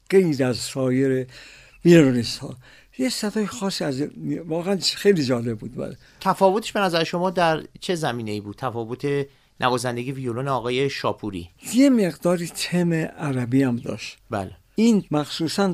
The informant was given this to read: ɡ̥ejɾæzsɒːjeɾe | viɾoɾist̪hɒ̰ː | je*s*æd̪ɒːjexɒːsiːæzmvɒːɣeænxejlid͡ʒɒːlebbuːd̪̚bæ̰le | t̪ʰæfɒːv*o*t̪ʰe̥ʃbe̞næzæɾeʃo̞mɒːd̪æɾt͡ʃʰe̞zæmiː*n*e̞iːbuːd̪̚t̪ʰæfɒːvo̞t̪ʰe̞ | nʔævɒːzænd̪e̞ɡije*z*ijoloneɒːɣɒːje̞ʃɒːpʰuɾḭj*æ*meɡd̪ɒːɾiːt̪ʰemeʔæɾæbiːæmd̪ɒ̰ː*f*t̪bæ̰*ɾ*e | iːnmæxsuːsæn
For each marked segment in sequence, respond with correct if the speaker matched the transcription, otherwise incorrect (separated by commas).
correct, correct, correct, incorrect, incorrect, incorrect, incorrect